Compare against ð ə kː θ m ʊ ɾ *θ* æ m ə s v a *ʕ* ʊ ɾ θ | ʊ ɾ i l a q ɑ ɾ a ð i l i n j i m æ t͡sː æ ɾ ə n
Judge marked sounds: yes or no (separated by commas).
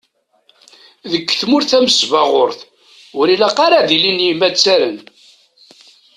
yes, no